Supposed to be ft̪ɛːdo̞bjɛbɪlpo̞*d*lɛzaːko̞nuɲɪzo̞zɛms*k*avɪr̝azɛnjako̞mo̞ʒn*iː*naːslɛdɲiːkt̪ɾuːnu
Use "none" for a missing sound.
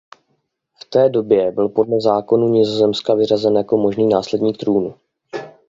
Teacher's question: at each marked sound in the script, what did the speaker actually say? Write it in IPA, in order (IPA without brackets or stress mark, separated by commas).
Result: d, k, iː